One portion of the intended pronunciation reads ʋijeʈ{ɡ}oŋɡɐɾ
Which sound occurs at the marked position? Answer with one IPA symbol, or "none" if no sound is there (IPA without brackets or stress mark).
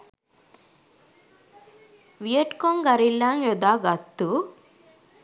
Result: k